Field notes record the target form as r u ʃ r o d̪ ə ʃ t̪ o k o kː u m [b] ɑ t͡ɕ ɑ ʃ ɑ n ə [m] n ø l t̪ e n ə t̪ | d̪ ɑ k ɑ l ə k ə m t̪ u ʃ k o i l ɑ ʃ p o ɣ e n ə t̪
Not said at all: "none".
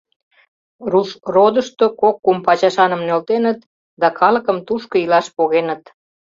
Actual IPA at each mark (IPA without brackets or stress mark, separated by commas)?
p, m